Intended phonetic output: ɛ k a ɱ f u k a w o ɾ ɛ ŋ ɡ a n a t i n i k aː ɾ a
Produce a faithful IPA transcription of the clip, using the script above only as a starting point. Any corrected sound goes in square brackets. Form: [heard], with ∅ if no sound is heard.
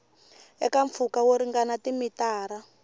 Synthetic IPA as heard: ɛ k a ɱ f u k a w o ɾ [i] ŋ ɡ a n a t i [m] i [t] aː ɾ a